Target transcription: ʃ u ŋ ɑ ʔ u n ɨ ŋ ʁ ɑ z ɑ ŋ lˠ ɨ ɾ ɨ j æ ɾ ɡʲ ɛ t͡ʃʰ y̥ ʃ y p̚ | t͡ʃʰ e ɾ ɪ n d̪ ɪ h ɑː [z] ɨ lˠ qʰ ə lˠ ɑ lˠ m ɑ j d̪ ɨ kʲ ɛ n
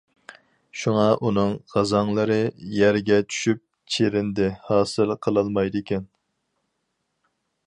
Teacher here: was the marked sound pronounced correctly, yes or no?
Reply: no